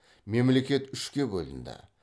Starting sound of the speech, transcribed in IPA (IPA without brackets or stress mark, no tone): m